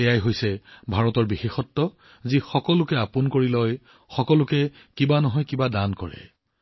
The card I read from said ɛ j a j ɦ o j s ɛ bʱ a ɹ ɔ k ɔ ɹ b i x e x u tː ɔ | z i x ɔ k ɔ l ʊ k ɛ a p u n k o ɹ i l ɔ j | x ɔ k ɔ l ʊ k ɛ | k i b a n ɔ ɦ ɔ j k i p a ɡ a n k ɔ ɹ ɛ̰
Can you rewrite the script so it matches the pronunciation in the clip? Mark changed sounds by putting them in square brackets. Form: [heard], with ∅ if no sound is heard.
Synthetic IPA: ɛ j a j ɦ o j s ɛ bʱ a ɹ ɔ [t] ɔ ɹ b i x e x [ɔ] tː ɔ | z i x ɔ k ɔ l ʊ k ɛ a p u n k o ɹ i l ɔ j | x ɔ k ɔ l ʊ k ɛ | k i b a n ɔ ɦ ɔ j k i [b] a [d] a n k ɔ ɹ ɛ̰

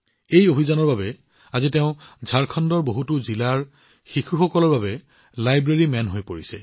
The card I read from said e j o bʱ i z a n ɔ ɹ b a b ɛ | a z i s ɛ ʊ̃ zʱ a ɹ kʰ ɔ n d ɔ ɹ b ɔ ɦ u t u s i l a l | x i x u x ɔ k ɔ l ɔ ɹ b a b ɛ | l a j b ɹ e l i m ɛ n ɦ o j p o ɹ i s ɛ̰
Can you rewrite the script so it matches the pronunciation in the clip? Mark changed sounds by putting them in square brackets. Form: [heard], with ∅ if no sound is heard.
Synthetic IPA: e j o bʱ i z a n ɔ ɹ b a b ɛ | a z i [t] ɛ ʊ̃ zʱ a ɹ kʰ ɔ n d ɔ ɹ b [o] ɦ u t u [z] i l a [ɹ] | x i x u x ɔ k ɔ l ɔ ɹ b a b ɛ | l a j b ɹ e [ɹ] i m ɛ n ɦ o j p o ɹ i s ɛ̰

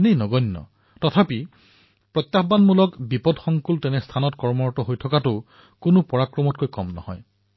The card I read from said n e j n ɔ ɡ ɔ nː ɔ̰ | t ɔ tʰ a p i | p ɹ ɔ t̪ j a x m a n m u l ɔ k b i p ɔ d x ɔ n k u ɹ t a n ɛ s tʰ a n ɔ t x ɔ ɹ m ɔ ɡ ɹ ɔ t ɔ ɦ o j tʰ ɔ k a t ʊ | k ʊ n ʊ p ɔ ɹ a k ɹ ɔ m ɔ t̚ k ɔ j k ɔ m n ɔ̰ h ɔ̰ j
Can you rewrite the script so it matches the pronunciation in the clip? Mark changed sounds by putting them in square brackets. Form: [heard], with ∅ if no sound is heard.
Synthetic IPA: n e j n ɔ ɡ ɔ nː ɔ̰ | t ɔ tʰ a p i | p ɹ ɔ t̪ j a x [b] a n m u l ɔ k b i p ɔ d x ɔ [ŋ] k u [l] t [ɛ] n ɛ s tʰ a n ɔ t [k] ɔ ɹ m ɔ [∅] ɹ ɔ t ɔ ɦ o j tʰ ɔ k a t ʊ | k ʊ n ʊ p ɔ ɹ a k ɹ ɔ m ɔ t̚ k [o] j k ɔ m n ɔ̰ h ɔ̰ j

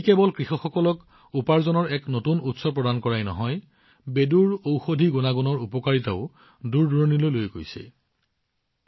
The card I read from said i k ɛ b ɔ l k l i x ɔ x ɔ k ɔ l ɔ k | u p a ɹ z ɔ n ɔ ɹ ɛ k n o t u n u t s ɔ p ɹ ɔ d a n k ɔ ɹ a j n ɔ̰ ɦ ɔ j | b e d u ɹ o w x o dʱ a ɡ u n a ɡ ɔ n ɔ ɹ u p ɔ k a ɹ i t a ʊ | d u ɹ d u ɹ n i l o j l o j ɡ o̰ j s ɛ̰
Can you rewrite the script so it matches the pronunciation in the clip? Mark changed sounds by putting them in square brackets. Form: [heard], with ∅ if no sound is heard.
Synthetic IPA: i k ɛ b ɔ l k [ɹ] i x ɔ x ɔ k ɔ l ɔ k | u p a ɹ z ɔ n ɔ ɹ ɛ k n o t u n u t s ɔ p ɹ ɔ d a n k ɔ ɹ a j n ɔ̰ ɦ ɔ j | b e d u ɹ o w x o dʱ [i] ɡ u n a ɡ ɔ n ɔ ɹ u p ɔ k a ɹ i t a ʊ | d u ɹ d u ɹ n i l o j l o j ɡ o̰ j s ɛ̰

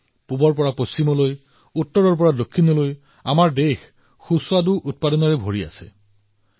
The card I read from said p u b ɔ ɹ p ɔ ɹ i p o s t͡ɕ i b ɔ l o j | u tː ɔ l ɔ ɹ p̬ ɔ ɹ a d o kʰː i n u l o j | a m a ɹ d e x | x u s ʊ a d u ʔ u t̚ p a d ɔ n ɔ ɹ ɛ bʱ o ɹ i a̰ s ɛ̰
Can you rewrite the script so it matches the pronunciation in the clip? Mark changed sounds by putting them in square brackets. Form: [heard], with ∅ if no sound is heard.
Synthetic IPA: p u b ɔ ɹ p ɔ ɹ [a] p o s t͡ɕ i [m] ɔ l o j | u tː ɔ [ɹ] ɔ ɹ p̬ ɔ ɹ a d o kʰː i n [ɔ] l o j | a m a ɹ d e x | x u s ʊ a d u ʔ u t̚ p a d ɔ n ɔ ɹ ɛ bʱ o ɹ i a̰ s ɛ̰

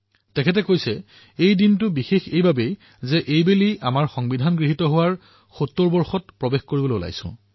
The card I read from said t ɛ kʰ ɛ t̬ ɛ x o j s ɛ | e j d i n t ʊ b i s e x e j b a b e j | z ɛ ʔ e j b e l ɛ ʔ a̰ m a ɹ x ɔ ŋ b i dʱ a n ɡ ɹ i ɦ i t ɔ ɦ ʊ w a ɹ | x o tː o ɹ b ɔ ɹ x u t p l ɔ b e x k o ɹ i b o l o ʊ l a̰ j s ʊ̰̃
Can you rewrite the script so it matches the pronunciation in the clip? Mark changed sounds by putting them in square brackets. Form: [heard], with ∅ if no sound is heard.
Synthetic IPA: t ɛ kʰ ɛ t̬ ɛ [k] o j s ɛ | e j d i n t ʊ b i [x] e x e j b a b e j | z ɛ ʔ e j b e l [i] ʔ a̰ m a ɹ x ɔ ŋ b i dʱ a n ɡ ɹ i ɦ i t ɔ ɦ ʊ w a ɹ | x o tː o ɹ b ɔ ɹ x [ɔ] t p [ɹ] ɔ b e x k o ɹ i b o l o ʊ l a̰ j s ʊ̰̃

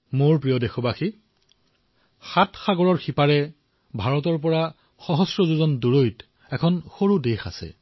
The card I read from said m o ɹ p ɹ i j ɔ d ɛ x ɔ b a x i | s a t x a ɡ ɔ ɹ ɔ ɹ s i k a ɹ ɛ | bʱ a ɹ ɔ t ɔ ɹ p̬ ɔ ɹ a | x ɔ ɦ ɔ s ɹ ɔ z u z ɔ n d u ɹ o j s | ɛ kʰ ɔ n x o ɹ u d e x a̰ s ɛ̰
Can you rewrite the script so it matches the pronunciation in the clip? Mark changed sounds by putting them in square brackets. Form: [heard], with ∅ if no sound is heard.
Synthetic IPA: m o ɹ p ɹ i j ɔ d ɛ x ɔ b a x i | [x] a t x a ɡ ɔ ɹ ɔ ɹ [x] i [p] a ɹ ɛ | bʱ a ɹ ɔ t ɔ ɹ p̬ ɔ ɹ a | x ɔ ɦ ɔ s ɹ ɔ z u z ɔ n d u ɹ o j [t] | ɛ kʰ ɔ n x o ɹ u d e x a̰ s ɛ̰

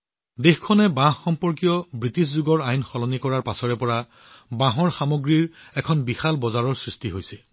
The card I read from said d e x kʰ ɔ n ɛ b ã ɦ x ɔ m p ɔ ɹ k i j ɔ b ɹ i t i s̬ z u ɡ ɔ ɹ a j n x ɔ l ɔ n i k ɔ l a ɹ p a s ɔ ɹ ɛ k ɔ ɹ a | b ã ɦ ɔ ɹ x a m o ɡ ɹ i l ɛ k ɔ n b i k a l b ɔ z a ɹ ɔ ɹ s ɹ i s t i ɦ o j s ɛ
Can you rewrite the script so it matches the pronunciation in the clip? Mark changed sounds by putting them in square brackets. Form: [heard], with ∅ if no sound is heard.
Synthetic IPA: d e x kʰ ɔ n ɛ b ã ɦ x ɔ m p ɔ ɹ k i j ɔ b ɹ i t i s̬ z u ɡ ɔ ɹ a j n x ɔ l ɔ n i k ɔ [ɹ] a ɹ p a s ɔ ɹ ɛ [p] ɔ ɹ a | b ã ɦ ɔ ɹ x a m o ɡ ɹ i [ɹ] ɛ [kʰ] ɔ n b i [x] a l b ɔ z a ɹ ɔ ɹ s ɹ i s t i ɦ o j s ɛ

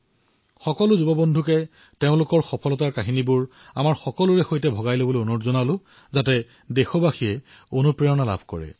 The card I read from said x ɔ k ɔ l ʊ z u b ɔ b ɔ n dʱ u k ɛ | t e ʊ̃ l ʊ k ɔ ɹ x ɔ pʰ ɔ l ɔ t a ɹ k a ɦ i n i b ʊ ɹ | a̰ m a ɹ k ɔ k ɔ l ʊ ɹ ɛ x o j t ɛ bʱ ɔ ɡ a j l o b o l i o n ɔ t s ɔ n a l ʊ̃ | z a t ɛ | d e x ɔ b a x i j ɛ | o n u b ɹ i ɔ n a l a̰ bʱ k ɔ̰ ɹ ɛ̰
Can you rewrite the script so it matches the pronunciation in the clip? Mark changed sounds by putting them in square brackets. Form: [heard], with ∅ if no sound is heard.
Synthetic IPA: x ɔ k ɔ l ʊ z u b ɔ b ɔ n dʱ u k ɛ | t e ʊ̃ l ʊ k ɔ ɹ x ɔ pʰ ɔ l ɔ t a ɹ k a ɦ i n i b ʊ ɹ | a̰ m a ɹ [x] ɔ k ɔ l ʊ ɹ ɛ x o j t ɛ bʱ ɔ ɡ a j l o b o l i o n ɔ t [z] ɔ n a l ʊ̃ | z a t ɛ | d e x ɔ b a x i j ɛ | o n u [p] ɹ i ɔ n a l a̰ bʱ k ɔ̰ ɹ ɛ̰

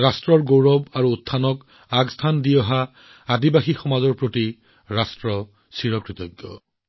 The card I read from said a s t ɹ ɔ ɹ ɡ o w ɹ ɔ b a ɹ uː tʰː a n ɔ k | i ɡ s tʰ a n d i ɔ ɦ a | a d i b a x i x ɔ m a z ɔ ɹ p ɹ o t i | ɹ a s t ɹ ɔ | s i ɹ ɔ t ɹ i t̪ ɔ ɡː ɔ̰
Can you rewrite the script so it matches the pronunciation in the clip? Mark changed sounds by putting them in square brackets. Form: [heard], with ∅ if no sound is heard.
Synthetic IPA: a s t ɹ ɔ ɹ ɡ o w ɹ ɔ b a ɹ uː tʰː a n ɔ k | [a] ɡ s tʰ a n d i ɔ ɦ a | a d i b a x i x ɔ m a z ɔ ɹ p ɹ o t i | ɹ a s t ɹ ɔ | s i ɹ ɔ [k] ɹ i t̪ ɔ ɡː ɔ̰

